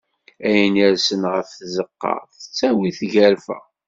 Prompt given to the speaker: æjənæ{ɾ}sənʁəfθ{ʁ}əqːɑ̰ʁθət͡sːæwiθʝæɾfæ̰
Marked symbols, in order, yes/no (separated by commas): yes, no